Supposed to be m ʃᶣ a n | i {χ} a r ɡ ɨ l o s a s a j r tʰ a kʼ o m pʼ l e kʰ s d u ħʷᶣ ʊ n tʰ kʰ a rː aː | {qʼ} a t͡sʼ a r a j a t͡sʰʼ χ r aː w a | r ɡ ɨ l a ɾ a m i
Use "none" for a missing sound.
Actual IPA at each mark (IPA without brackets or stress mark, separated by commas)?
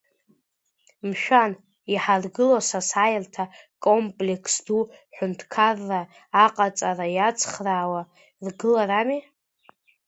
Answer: ħ, qʼ